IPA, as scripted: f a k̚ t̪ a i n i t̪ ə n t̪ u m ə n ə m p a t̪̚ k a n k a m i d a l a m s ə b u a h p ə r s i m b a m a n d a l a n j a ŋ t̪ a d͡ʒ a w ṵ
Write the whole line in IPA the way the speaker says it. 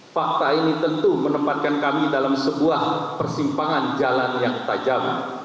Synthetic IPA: f a k̚ t̪ a i n i t̪ ə n t̪ u m ə n ə m p a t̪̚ k a n k a m i d a l a m s ə b u a h p ə r s i m p a ŋ a n d͡ʒ a l a n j a ŋ t̪ a d͡ʒ a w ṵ